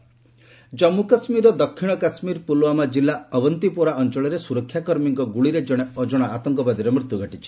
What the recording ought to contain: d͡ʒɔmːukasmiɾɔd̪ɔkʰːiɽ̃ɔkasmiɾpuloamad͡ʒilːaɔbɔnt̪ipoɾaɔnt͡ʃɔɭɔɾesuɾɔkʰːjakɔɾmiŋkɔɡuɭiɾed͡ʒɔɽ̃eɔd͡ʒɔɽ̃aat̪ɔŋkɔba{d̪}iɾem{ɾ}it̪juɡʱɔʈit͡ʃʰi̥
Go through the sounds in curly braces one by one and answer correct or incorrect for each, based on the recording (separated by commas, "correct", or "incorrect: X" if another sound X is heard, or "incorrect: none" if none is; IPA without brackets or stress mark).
correct, correct